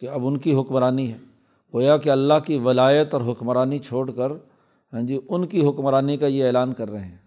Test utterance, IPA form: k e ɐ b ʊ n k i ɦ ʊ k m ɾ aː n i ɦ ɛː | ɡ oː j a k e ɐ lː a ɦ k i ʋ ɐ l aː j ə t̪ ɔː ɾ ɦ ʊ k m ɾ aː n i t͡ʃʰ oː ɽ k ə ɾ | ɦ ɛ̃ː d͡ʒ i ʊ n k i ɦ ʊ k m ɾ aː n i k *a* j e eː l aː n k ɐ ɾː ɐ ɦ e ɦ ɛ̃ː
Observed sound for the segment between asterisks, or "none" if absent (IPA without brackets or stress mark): a